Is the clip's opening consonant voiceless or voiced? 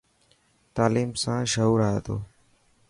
voiceless